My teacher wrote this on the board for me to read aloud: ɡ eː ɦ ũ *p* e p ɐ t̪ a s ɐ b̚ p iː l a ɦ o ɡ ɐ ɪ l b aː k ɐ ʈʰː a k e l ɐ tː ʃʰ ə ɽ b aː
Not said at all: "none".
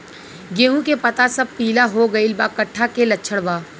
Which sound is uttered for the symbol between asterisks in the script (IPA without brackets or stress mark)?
k